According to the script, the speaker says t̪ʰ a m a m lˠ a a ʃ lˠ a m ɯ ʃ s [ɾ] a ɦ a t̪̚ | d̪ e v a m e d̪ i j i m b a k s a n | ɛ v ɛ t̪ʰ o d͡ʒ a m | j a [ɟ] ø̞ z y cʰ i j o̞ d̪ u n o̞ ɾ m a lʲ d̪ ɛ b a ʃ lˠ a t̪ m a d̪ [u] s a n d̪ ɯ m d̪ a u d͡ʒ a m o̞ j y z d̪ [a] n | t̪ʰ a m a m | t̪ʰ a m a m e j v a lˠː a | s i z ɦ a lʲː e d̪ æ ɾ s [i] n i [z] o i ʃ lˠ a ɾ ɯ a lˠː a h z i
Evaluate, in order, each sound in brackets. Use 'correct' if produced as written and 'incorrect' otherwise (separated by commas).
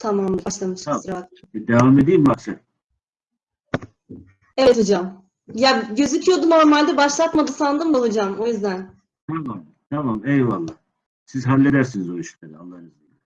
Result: correct, correct, incorrect, incorrect, correct, correct